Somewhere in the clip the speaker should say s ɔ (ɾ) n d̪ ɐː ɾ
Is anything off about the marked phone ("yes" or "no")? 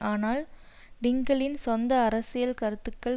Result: yes